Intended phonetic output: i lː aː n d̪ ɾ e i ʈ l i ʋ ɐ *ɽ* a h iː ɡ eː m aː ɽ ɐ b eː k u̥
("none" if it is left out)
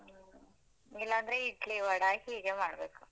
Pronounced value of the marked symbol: ɽ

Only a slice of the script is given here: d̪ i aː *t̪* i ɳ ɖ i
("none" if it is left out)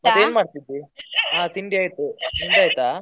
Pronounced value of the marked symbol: t̪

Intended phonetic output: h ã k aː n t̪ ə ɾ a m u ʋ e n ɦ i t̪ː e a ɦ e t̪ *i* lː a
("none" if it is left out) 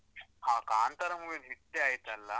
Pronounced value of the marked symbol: a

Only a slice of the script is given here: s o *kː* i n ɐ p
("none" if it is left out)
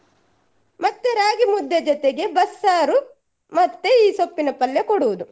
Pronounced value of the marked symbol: pː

